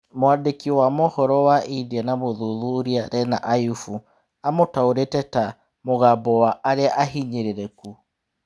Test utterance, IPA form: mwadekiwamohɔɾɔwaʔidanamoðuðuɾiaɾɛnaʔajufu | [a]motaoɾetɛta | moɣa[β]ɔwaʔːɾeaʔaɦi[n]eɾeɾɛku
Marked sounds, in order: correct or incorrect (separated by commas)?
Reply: correct, incorrect, incorrect